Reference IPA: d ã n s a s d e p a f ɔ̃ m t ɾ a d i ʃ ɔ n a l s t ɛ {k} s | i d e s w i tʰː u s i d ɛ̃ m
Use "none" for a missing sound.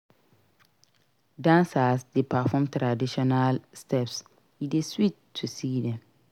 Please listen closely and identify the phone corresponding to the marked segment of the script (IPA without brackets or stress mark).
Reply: p